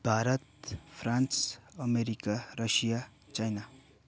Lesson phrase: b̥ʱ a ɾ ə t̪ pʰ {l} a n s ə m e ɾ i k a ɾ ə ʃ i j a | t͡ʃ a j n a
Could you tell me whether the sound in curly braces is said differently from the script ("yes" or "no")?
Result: yes